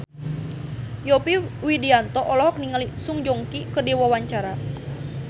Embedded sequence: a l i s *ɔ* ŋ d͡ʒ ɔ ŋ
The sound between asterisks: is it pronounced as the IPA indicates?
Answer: no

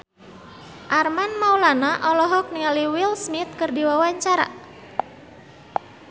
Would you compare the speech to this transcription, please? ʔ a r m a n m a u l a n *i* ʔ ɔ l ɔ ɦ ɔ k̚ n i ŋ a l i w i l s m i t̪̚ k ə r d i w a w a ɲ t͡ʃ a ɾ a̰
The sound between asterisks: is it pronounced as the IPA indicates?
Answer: no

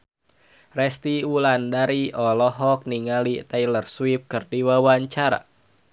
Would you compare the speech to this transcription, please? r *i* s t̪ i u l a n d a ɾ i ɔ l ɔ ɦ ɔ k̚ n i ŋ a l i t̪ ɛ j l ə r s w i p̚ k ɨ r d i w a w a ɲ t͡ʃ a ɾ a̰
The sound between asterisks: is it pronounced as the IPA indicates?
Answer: no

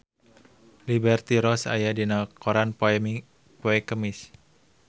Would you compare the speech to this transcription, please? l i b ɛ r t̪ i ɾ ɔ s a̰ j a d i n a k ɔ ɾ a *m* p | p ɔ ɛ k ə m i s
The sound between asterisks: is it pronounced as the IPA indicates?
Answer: no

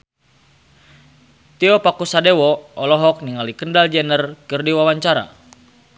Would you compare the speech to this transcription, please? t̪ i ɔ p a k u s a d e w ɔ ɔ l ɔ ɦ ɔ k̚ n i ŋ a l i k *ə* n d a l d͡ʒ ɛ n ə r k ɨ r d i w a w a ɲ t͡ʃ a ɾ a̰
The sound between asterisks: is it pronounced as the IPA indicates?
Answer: yes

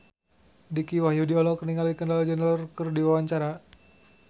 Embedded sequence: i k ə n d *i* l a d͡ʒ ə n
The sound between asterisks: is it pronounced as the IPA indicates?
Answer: no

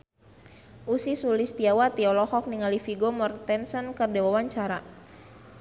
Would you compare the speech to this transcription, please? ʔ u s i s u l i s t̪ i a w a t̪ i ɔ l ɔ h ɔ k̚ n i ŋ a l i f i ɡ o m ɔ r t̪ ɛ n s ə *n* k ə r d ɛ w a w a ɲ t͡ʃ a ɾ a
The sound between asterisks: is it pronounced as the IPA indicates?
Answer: yes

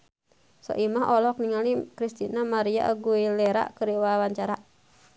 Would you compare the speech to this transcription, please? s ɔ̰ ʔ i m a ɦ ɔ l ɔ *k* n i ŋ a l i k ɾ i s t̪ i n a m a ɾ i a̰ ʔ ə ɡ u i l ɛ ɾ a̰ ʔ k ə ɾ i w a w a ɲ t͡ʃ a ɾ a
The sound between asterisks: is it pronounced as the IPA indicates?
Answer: yes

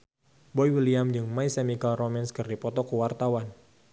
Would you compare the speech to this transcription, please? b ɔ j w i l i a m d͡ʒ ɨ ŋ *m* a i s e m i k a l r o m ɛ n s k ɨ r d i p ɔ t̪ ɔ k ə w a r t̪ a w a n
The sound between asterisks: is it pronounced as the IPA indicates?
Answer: yes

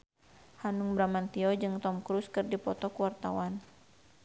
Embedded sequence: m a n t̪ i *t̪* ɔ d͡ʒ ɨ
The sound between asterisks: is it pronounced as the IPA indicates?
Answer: no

